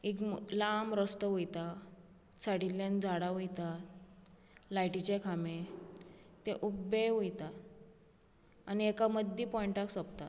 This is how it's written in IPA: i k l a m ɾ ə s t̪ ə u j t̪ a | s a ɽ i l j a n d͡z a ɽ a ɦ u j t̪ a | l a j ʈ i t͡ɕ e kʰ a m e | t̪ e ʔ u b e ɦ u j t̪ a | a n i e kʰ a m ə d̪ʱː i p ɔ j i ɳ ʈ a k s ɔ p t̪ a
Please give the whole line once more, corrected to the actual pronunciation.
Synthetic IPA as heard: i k l a m ɾ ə s t̪ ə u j t̪ a | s a ɽ i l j a n d͡z a ɽ a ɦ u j t̪ a | l a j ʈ i t͡ɕ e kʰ a m e | t̪ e ʔ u b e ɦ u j t̪ a | a n i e k a m ə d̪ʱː i p ɔ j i ɳ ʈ a k s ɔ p t̪ a